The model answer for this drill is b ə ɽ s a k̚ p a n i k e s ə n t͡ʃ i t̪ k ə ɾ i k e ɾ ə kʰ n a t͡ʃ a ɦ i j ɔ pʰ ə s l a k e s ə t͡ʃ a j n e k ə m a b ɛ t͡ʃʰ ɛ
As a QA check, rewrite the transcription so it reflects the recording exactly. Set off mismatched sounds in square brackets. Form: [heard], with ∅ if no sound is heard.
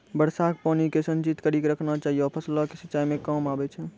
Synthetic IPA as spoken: b ə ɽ s a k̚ p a n i k e s ə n t͡ʃ i t̪ k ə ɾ i k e ɾ ə kʰ n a t͡ʃ a ɦ i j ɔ pʰ ə s l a k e s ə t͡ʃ a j [m] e k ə m a b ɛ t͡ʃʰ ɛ